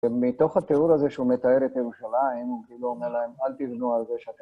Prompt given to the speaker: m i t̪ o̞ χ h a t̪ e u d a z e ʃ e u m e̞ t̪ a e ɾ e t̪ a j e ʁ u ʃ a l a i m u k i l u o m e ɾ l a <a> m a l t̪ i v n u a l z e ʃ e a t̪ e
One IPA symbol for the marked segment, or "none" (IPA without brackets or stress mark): e